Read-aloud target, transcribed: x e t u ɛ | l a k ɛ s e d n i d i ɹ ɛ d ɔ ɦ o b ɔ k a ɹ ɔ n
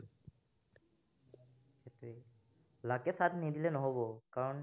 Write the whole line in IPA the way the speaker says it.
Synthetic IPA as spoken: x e t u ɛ | l a k ɛ s a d n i d i l ɛ n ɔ ɦ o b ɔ k a ɹ ɔ n